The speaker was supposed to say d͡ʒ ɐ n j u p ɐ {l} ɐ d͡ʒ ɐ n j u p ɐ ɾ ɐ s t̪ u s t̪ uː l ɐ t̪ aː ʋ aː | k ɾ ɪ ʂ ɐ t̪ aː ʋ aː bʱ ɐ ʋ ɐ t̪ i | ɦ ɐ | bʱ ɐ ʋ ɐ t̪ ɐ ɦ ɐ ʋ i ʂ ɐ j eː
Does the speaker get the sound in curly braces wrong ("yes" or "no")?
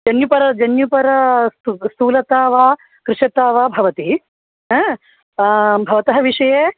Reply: yes